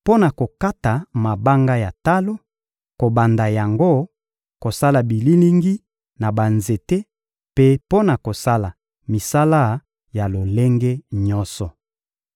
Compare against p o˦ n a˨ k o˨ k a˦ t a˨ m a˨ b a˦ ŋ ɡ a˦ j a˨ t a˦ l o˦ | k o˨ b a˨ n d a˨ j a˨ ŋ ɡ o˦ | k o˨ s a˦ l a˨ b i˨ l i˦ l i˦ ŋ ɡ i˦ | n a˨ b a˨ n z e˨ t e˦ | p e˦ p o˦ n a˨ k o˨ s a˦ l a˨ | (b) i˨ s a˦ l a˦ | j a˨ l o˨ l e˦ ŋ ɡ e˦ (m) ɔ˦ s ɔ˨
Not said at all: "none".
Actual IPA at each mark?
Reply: m, ɲ

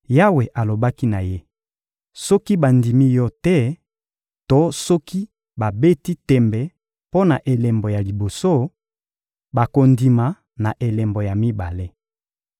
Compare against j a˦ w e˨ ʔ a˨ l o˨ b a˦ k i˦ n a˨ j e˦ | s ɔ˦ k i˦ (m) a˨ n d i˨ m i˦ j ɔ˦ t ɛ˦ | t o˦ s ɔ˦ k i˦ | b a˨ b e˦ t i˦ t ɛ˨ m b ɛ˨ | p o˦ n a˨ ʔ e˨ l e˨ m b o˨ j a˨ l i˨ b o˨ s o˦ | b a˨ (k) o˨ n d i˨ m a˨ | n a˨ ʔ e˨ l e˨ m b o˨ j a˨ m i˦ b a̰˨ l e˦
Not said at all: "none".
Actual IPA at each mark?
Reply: b, k

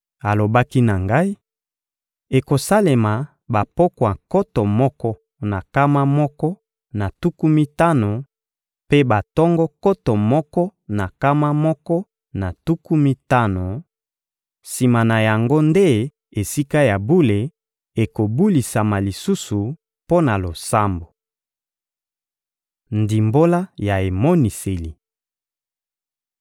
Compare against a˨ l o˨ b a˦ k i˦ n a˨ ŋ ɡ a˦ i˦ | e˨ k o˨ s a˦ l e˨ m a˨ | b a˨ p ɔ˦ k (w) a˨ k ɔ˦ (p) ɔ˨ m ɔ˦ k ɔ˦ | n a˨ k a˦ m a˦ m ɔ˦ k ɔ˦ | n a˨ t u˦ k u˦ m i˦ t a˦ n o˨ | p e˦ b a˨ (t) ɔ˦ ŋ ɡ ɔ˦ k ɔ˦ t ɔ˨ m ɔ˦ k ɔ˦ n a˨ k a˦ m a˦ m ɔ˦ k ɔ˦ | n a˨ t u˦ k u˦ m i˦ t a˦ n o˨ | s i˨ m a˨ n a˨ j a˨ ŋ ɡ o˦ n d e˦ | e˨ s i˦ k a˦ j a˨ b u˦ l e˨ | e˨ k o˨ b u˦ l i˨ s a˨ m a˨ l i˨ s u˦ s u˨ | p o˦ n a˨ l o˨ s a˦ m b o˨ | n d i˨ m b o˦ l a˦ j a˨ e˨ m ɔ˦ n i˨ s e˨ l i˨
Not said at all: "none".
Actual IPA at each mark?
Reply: w, t, t

